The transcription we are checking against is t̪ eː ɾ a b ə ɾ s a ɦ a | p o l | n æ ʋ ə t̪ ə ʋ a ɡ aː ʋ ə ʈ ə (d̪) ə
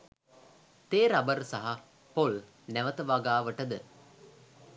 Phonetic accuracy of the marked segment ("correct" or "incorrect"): correct